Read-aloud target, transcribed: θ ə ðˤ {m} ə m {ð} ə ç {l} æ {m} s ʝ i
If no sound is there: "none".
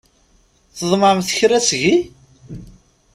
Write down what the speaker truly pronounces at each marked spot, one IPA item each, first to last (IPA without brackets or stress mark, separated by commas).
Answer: m, θ, ɾ, none